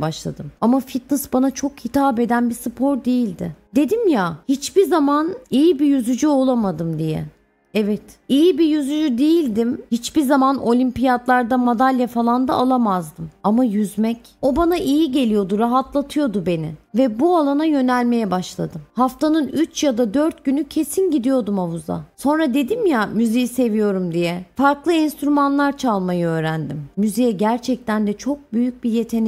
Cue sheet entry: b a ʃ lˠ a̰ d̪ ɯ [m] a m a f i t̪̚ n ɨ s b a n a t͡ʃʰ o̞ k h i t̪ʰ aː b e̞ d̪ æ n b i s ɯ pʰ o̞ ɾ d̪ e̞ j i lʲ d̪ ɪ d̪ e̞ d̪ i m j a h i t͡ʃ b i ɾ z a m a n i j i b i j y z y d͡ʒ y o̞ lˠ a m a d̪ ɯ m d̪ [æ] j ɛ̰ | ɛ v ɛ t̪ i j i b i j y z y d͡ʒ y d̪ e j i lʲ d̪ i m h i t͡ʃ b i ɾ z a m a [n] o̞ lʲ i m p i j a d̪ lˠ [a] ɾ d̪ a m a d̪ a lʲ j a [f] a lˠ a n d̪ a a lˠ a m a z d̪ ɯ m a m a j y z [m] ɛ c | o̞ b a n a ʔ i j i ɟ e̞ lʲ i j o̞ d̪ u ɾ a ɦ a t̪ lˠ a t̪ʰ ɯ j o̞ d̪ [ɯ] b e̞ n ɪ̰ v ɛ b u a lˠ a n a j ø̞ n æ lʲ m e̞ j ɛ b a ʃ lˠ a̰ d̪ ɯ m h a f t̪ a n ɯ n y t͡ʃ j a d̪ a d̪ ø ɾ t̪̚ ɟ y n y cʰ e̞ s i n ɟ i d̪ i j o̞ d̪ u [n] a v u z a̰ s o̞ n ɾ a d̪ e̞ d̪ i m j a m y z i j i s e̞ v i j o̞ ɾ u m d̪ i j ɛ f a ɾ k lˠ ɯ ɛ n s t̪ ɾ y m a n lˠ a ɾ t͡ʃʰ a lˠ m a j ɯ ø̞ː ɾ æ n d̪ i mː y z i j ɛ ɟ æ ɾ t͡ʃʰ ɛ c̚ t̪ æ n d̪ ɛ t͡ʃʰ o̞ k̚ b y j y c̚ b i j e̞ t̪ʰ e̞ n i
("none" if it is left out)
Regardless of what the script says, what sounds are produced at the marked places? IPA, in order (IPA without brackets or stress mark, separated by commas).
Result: m, i, n, a, f, m, u, m